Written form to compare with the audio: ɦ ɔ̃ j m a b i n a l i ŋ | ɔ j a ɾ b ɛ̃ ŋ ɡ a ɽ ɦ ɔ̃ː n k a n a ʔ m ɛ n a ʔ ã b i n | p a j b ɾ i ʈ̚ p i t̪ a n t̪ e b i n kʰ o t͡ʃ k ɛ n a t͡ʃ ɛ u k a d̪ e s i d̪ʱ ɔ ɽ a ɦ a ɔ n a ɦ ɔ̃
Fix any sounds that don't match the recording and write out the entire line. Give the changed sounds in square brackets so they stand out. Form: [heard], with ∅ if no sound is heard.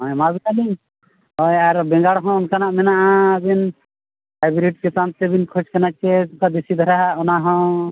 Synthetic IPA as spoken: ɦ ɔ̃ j m a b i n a l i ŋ | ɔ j a ɾ b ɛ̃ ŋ ɡ a ɽ ɦ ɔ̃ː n k a n a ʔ m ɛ n a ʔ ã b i n | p a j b ɾ i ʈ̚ [k] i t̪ a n t̪ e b i n kʰ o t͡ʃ k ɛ n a t͡ʃ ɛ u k a d̪ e s i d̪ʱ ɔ [ɾ] a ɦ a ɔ n a ɦ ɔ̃